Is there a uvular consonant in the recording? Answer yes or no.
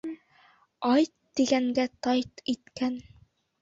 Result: no